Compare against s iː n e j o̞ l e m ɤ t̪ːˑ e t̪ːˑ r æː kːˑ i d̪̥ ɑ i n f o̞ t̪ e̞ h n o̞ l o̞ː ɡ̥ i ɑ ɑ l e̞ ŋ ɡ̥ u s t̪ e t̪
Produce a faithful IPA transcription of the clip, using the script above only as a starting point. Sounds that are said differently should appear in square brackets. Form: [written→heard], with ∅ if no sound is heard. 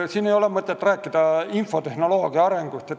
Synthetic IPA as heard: s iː n e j o̞ l e m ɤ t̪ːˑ e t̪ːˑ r æː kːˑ i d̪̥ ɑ i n f o̞ t̪ e̞ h n o̞ l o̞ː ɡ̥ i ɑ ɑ [l→ɾ] e̞ ŋ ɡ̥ u s t̪ e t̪